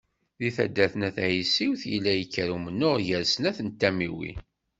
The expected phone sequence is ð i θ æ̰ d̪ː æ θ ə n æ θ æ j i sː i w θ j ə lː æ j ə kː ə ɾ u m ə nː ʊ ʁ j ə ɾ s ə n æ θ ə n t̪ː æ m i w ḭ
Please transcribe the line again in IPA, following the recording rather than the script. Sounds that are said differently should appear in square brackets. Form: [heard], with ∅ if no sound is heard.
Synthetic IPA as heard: ð i θ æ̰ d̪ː æ θ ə n æ θ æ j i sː i w θ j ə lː æ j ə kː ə ɾ u m ə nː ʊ ʁ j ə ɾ s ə n æ θ ə n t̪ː æ m i w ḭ